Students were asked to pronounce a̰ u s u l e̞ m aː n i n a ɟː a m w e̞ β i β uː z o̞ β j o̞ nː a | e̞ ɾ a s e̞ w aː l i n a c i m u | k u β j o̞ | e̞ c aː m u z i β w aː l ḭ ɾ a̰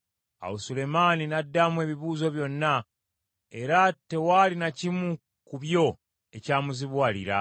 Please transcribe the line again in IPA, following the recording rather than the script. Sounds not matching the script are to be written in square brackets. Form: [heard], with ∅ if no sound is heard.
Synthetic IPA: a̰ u s u l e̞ m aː n i n a [dː] a m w e̞ β i β uː z o̞ β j o̞ nː a | e̞ ɾ a [t] e̞ w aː l i n a c i m u | k u β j o̞ | e̞ c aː m u z i β w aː l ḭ ɾ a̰